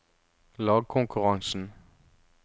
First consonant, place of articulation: alveolar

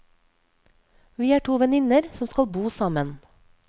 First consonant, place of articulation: labial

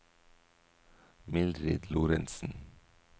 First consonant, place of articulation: labial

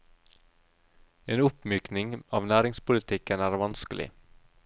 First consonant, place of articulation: alveolar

